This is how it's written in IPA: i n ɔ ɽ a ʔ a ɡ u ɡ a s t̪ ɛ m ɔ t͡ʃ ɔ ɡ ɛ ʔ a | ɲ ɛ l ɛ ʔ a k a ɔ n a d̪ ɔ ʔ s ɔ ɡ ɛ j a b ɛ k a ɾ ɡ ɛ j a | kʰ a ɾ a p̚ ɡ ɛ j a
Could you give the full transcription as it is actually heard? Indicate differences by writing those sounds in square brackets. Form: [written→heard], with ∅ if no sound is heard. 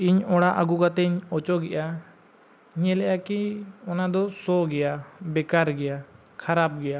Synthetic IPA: i [n→ɲ] ɔ ɽ a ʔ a ɡ u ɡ a [s→∅] t̪ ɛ [m→ɲ] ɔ t͡ʃ ɔ ɡ ɛ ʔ a | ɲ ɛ l ɛ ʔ a k [a→i] ɔ n a d̪ ɔ [ʔ→∅] s ɔ ɡ ɛ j a b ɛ k a ɾ ɡ ɛ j a | kʰ a ɾ a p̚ ɡ ɛ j a